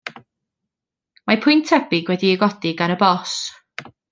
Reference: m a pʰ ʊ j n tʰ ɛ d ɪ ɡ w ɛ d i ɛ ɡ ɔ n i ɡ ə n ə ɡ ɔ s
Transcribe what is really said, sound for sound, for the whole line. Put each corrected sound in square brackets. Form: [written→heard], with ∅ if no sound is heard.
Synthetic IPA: m a pʰ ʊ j n tʰ ɛ [d→b] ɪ ɡ w ɛ d i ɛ ɡ ɔ [n→d] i ɡ [ə→a] n ə [ɡ→b] ɔ s